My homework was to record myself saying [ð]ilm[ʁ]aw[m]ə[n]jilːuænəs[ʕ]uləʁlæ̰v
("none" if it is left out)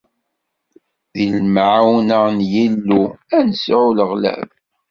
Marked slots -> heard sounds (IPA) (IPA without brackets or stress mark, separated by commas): ð, ʕ, n, n, ʕ